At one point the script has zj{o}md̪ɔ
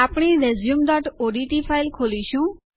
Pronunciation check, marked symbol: incorrect: u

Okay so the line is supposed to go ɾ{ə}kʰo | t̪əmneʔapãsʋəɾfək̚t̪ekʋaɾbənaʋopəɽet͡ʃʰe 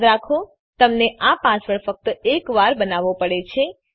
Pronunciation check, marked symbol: incorrect: a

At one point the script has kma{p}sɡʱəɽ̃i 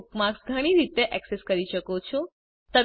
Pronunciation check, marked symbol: incorrect: k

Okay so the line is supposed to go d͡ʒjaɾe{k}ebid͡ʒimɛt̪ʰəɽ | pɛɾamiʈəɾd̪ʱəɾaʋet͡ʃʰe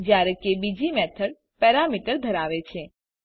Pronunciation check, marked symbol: correct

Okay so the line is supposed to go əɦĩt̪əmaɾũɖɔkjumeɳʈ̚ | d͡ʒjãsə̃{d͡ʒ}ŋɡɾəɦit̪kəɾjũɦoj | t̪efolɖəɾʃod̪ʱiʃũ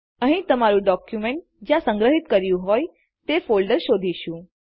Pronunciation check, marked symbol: incorrect: none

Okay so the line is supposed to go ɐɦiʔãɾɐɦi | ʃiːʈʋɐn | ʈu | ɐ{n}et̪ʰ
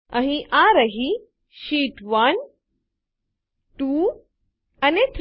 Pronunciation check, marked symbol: correct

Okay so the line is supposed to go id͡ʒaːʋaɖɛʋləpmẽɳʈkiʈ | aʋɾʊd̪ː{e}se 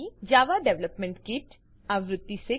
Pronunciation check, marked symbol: incorrect: i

